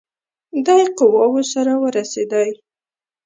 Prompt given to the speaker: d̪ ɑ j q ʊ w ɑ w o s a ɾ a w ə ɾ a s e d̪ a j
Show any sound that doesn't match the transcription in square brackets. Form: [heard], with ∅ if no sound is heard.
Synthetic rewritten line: d̪ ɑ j q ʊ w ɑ w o s a ɾ a w ə ɾ a s e d̪ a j